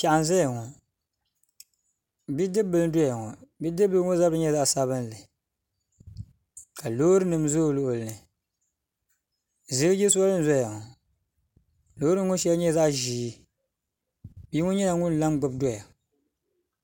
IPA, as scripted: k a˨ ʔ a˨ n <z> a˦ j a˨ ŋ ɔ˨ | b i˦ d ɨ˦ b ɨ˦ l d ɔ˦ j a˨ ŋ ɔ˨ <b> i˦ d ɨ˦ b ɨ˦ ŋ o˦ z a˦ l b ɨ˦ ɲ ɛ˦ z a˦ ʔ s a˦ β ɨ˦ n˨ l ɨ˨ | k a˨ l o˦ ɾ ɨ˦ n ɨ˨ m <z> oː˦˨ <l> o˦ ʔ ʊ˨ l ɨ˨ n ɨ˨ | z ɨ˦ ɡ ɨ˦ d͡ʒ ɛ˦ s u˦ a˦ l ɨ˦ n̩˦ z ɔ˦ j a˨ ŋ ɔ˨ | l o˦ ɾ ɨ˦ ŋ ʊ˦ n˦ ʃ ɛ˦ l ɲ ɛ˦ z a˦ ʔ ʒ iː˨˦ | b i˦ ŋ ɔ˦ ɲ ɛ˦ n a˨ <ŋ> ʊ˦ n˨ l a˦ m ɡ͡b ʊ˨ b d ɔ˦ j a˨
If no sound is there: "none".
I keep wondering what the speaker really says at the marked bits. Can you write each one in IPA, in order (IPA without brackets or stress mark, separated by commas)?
z, b, z, l, ŋ